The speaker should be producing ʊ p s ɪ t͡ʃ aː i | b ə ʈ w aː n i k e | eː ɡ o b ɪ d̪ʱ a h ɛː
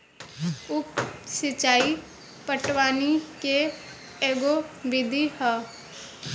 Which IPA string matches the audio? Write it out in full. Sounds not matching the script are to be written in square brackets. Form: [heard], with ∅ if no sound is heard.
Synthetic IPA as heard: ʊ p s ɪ t͡ʃ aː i | [p] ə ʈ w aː n i k e | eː ɡ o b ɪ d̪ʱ [i] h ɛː

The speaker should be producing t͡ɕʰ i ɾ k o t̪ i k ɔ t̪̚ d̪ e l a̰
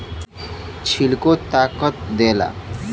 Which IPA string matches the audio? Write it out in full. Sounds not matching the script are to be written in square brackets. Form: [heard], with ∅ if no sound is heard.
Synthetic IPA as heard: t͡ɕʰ i [l] k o t̪ [a] k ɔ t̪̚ d̪ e l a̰

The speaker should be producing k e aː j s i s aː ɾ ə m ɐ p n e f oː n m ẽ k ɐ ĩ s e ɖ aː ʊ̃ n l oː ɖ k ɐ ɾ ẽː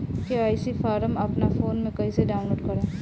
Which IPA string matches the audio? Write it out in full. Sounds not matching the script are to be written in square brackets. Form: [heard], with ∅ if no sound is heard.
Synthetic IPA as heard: k e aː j s i [f] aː ɾ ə m ɐ p n [a] f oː n m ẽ k ɐ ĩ s e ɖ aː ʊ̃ n l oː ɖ k ɐ ɾ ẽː

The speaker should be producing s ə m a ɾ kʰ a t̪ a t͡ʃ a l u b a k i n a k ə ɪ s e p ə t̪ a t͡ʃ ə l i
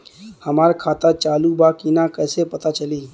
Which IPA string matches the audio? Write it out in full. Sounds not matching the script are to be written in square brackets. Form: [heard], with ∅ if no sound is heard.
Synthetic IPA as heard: [h] ə m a ɾ kʰ a t̪ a t͡ʃ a l u b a k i n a k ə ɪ s e p ə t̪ a t͡ʃ ə l i

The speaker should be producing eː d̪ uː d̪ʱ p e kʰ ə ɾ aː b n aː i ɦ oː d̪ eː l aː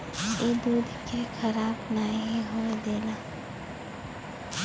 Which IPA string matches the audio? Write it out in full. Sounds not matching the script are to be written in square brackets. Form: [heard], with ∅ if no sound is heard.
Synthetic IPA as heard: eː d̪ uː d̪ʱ [k] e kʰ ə ɾ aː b n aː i ɦ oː d̪ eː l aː

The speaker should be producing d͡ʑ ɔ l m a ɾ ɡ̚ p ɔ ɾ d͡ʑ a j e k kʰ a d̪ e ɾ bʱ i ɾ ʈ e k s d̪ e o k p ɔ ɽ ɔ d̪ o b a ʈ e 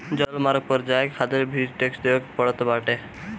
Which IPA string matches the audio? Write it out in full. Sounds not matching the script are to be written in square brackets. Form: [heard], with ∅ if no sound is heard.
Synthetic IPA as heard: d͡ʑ ɔ l m a ɾ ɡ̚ p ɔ ɾ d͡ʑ a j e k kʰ a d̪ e ɾ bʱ i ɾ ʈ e k s d̪ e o k p ɔ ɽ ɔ [t̪] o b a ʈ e

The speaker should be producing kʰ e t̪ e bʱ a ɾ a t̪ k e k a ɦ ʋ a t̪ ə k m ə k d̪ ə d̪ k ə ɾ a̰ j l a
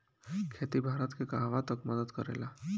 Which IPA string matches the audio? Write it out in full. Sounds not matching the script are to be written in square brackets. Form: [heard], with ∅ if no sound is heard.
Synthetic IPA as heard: kʰ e t̪ [i] bʱ a ɾ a t̪ k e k a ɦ ʋ a t̪ ə k m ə [∅] d̪ ə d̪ k ə ɾ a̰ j l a

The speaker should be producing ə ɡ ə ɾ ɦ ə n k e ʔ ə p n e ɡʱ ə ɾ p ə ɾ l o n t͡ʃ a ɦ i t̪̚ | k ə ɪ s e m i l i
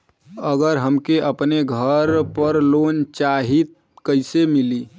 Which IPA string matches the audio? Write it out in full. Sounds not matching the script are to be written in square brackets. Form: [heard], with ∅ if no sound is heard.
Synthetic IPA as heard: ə ɡ ə ɾ ɦ ə [m] k e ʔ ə p n e ɡʱ ə ɾ p ə ɾ l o n t͡ʃ a ɦ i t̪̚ | k ə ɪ s e m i l i

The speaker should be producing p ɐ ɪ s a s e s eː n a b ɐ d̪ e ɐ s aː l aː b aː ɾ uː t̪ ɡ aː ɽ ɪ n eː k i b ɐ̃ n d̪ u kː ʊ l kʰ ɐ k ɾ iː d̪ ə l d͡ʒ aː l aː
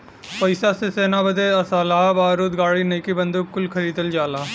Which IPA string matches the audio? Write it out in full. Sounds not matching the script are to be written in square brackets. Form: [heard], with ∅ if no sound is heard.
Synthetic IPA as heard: p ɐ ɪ s a s e s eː n a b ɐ d̪ e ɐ s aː l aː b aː ɾ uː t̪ ɡ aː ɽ [i] n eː k i b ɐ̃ n d̪ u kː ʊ l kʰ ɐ [∅] ɾ iː d̪ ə l d͡ʒ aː l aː

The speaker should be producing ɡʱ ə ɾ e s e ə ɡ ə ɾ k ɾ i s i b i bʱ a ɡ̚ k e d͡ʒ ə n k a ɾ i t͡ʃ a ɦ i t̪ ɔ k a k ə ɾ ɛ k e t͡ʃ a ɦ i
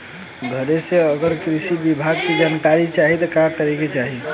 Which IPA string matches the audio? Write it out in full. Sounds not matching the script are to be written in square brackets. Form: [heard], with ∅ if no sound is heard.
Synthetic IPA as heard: ɡʱ ə ɾ e s e ə ɡ ə ɾ k ɾ i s i b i bʱ a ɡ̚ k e d͡ʒ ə n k a ɾ i t͡ʃ a ɦ i t̪ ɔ k a k ə ɾ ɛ k e t͡ʃ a ɦ i

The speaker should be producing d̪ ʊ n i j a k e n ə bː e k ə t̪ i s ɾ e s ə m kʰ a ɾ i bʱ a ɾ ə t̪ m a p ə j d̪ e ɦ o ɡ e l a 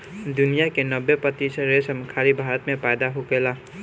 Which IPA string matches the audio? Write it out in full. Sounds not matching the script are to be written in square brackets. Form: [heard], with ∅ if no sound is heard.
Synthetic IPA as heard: d̪ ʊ n i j a k e n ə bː e [p] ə t̪ i s ɾ e s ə m kʰ a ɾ i bʱ a ɾ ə t̪ m [e] p [a] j d̪ [a] ɦ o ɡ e l a

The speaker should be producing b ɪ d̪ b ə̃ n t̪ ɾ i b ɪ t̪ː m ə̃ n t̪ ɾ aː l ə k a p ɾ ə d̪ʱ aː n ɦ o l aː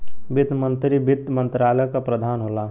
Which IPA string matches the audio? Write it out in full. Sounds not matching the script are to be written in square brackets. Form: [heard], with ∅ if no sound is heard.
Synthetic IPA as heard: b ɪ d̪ [m] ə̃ n t̪ ɾ i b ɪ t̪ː m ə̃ n t̪ ɾ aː l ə k a p ɾ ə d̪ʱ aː n ɦ o l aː

